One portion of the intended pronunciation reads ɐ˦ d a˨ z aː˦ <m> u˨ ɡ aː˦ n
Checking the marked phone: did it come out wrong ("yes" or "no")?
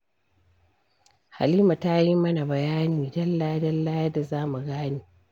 no